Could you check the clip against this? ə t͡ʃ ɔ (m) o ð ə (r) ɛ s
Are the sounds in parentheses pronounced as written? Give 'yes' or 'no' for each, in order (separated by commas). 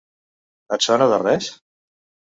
no, yes